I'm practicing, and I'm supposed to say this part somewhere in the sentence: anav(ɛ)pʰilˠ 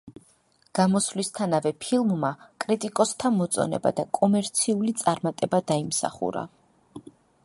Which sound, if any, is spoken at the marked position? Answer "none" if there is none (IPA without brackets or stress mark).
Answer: ɛ